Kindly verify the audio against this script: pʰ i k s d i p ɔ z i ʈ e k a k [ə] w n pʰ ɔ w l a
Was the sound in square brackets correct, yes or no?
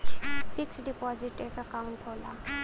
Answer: no